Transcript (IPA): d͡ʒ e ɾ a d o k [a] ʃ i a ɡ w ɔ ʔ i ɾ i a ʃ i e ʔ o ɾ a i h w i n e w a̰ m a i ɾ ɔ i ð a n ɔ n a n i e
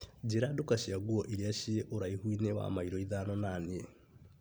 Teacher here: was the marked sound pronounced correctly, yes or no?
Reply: yes